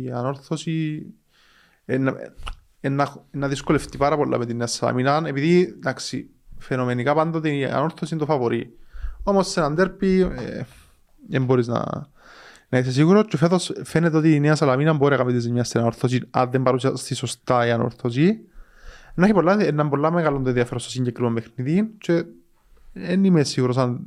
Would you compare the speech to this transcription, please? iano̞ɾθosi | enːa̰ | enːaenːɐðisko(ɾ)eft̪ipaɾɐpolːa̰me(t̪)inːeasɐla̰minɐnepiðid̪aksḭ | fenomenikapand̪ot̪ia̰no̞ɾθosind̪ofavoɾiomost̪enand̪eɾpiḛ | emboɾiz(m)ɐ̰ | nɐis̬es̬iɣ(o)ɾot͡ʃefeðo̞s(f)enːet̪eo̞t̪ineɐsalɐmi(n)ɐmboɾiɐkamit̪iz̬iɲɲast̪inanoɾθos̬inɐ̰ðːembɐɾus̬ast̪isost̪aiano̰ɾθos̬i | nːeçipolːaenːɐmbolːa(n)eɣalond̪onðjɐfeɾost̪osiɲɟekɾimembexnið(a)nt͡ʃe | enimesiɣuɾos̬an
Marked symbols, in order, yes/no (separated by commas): no, yes, no, no, yes, yes, no, no